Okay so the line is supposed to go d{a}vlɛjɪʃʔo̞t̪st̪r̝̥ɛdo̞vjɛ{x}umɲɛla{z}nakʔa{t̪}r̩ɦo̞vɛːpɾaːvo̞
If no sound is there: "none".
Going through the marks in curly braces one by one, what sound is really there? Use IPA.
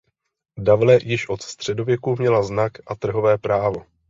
a, k, z, t̪

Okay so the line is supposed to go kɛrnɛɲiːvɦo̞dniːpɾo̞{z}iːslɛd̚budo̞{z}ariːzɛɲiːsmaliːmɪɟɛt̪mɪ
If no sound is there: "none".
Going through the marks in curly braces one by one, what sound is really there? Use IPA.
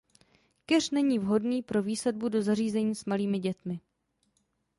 v, z

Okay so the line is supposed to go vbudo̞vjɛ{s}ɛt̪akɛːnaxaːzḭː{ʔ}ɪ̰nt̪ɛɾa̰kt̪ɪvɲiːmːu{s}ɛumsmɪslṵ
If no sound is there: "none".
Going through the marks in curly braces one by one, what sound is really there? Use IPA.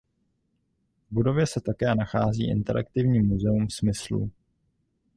s, ʔ, z

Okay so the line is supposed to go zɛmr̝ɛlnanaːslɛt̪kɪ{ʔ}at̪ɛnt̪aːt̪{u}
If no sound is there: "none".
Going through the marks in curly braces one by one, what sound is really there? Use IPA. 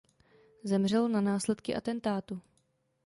ʔ, u

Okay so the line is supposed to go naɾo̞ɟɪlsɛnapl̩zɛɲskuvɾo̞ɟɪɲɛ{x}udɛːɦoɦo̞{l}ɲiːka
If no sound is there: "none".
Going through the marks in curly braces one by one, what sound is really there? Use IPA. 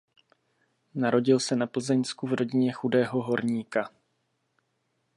x, ɾ

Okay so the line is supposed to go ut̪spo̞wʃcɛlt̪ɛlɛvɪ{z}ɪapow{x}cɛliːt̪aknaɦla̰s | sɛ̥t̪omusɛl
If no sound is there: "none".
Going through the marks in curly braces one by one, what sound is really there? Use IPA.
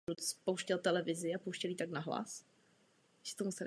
z, ʃ

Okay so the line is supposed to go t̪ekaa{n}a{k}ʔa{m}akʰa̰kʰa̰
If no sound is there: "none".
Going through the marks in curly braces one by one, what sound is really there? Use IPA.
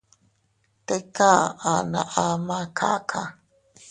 n, none, m

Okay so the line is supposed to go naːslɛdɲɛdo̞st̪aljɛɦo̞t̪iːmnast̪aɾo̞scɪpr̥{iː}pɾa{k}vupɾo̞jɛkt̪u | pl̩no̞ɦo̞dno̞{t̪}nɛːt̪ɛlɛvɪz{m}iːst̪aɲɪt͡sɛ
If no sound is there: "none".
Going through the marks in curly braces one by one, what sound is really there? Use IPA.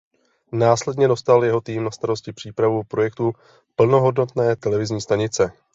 iː, none, t̪, ɲ

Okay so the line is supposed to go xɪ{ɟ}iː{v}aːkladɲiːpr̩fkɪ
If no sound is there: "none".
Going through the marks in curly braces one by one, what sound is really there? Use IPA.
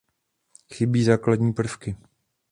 b, z

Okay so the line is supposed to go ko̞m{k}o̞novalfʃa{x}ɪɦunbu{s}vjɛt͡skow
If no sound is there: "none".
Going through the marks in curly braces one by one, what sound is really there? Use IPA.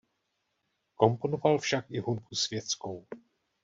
p, k, s

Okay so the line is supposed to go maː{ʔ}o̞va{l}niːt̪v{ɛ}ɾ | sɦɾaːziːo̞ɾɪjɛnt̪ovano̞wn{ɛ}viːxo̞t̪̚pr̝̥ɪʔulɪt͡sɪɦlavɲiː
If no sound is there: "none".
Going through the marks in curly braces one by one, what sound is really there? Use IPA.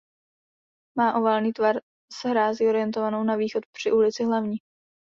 ʔ, l, a, a

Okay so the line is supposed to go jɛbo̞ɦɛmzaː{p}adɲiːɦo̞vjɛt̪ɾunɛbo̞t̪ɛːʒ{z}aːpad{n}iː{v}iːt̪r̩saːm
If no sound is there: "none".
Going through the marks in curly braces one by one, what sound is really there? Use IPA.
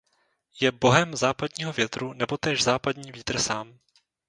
p, z, ɲ, v

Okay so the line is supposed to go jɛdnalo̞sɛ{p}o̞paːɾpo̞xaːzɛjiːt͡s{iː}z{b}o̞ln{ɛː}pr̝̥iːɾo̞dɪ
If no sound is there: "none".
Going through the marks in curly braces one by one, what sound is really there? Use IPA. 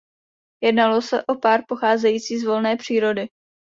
ʔ, iː, v, ɛː

